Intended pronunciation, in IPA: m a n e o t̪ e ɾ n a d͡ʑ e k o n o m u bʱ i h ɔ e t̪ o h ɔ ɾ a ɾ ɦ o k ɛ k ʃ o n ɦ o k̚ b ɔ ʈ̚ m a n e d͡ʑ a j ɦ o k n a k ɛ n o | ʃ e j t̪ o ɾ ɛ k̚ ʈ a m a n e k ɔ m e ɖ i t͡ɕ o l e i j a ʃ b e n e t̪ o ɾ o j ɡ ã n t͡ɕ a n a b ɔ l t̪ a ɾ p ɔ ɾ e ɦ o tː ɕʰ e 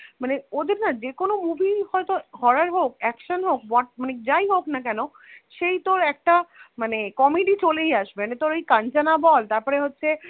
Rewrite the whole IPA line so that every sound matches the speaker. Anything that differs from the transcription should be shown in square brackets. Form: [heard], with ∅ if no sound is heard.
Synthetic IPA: m a n e o [d̪] e ɾ n a d͡ʑ e k o n o m u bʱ i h ɔ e t̪ o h ɔ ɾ a ɾ ɦ o k ɛ k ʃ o n ɦ o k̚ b ɔ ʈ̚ m a n e d͡ʑ a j ɦ o k n a k ɛ n o | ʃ e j t̪ o ɾ ɛ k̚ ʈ a m a n e k ɔ m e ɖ i t͡ɕ o l e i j a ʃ b e n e t̪ o ɾ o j [k] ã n t͡ɕ a n a b ɔ l t̪ a ɾ p ɔ ɾ e ɦ o tː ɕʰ e